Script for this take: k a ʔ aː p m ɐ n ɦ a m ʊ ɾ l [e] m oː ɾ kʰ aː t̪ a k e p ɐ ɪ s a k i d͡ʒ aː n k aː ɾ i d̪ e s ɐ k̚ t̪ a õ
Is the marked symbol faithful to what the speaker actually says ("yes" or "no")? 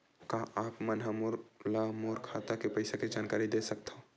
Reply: no